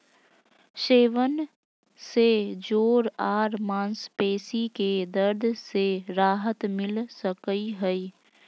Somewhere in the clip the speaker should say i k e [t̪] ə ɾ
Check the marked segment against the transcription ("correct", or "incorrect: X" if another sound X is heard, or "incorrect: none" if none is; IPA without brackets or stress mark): incorrect: d̪